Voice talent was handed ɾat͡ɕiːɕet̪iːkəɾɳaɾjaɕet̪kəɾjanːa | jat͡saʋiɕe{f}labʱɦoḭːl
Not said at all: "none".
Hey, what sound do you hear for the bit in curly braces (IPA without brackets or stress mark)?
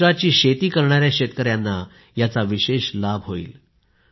ɕ